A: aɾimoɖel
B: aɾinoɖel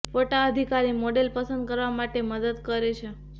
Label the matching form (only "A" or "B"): A